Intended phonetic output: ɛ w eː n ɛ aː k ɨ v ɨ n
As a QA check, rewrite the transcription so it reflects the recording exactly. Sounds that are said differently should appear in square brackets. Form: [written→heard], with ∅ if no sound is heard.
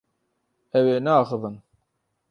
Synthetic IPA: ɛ w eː n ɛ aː [k→x] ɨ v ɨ n